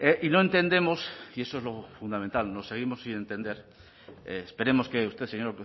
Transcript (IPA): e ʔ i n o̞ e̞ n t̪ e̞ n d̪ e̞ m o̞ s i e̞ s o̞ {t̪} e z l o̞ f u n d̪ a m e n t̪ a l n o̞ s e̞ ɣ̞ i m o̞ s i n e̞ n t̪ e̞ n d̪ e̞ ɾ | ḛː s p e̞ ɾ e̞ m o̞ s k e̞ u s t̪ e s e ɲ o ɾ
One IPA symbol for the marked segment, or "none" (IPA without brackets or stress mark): none